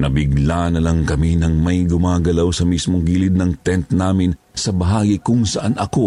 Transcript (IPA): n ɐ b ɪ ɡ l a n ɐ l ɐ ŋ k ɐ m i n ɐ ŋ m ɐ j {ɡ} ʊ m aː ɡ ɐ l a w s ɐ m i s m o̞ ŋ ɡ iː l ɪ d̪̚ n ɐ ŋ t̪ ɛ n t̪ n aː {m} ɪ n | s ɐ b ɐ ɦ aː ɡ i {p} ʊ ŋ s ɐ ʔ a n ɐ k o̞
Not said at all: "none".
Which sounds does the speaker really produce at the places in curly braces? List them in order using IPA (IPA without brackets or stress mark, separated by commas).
ɡ, m, k